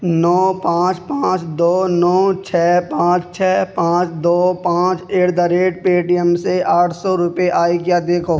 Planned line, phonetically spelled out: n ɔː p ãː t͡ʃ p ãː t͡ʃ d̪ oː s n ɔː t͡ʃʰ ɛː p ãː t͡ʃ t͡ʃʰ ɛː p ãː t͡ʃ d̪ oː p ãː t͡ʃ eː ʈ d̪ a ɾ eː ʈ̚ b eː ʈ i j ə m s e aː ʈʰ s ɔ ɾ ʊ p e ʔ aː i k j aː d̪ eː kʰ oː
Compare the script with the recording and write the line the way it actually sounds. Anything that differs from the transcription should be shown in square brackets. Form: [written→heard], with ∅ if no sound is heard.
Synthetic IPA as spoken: n ɔː p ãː t͡ʃ p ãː t͡ʃ d̪ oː [s→∅] n ɔː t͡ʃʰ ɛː p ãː t͡ʃ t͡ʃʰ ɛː p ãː t͡ʃ d̪ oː p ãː t͡ʃ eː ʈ d̪ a ɾ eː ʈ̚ [b→p] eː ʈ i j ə m s e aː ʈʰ s ɔ ɾ ʊ p e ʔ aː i k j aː d̪ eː kʰ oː

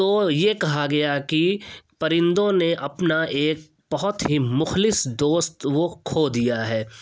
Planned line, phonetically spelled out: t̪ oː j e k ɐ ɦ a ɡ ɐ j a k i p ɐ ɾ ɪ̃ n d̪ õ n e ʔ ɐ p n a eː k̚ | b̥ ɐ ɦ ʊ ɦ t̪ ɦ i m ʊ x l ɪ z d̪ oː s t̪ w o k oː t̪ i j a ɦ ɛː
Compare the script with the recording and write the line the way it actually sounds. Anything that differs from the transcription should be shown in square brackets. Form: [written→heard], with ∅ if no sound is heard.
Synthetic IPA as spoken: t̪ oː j e k ɐ ɦ a ɡ ɐ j a k i p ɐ ɾ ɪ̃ n d̪ õ n e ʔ ɐ p n a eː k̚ | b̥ ɐ ɦ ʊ [ɦ→∅] t̪ ɦ i m ʊ x l ɪ [z→s] d̪ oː s t̪ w o [k→kʰ] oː [t̪→d̪] i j a ɦ ɛː

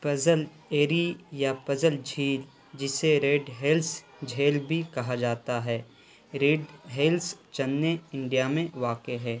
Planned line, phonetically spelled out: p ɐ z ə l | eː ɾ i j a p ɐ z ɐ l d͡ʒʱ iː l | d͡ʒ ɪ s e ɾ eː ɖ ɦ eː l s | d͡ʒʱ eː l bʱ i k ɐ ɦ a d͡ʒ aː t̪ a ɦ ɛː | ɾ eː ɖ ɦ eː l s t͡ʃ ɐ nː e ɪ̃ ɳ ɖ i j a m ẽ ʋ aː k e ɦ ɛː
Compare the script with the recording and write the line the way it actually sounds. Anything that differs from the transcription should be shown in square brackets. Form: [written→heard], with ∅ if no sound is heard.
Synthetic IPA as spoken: p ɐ z ə l | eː ɾ i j a p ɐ z [ɐ→ə] l d͡ʒʱ iː l | d͡ʒ ɪ s e ɾ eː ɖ ɦ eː l s | d͡ʒʱ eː l bʱ i k ɐ ɦ a d͡ʒ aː t̪ a ɦ ɛː | ɾ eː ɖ ɦ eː l s t͡ʃ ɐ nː e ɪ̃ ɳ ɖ i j a m ẽ ʋ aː k e ɦ ɛː

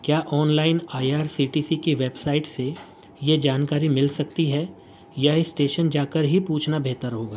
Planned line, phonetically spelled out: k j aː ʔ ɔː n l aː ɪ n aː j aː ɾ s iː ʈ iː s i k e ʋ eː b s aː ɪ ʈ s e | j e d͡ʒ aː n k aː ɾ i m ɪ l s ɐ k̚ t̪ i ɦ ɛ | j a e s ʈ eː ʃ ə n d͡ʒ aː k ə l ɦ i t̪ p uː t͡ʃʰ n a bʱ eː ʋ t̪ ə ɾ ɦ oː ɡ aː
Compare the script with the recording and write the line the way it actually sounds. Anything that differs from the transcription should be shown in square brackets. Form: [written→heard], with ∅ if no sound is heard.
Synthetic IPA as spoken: k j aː ʔ ɔː n l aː ɪ n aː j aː ɾ s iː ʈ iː s i k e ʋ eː b s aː ɪ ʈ s e | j e d͡ʒ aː n k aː ɾ i m ɪ l s ɐ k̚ t̪ i ɦ ɛ | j a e s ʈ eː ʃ ə n d͡ʒ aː k ə [l→ɾ] ɦ i [t̪→∅] p uː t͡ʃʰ n a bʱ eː [ʋ→∅] t̪ ə ɾ ɦ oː ɡ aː

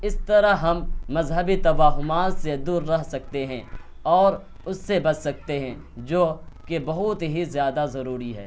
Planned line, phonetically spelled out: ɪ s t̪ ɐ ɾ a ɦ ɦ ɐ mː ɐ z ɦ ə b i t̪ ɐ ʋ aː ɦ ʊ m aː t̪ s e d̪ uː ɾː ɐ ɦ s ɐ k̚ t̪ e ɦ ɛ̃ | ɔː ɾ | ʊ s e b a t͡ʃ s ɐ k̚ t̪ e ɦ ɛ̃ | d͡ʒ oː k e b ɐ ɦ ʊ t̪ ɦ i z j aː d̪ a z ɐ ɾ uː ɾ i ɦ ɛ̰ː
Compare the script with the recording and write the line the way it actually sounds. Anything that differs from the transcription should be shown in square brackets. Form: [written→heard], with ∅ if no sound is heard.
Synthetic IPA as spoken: ɪ s t̪ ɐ ɾ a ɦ ɦ ɐ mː ɐ z ɦ ə b i t̪ ɐ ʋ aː ɦ ʊ m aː t̪ s e d̪ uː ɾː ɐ ɦ s ɐ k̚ t̪ e ɦ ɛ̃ | ɔː ɾ | ʊ [s→sː] e b [a→ɐ] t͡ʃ s ɐ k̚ t̪ e ɦ ɛ̃ | d͡ʒ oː k e b ɐ ɦ ʊ t̪ ɦ i z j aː d̪ a z ɐ ɾ uː ɾ i ɦ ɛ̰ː

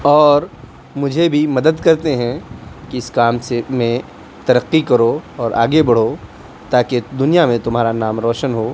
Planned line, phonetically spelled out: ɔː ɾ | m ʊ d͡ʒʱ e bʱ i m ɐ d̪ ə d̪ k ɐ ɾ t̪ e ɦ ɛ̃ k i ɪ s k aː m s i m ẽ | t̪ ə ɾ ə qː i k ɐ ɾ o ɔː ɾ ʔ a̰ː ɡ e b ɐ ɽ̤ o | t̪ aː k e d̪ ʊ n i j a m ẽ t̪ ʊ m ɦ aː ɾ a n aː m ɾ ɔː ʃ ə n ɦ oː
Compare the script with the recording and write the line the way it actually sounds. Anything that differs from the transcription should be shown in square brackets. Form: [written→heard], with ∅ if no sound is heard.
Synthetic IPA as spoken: ɔː ɾ | m ʊ d͡ʒʱ e bʱ i m ɐ d̪ ə d̪ k ɐ ɾ t̪ e ɦ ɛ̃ k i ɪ s k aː m s [i→e] m ẽ | t̪ [ə→ɐ] ɾ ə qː i k ɐ ɾ o ɔː ɾ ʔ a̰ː ɡ e b ɐ ɽ̤ o | t̪ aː k e d̪ ʊ n i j a m ẽ t̪ ʊ m ɦ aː ɾ a n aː m ɾ ɔː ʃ ə n ɦ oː

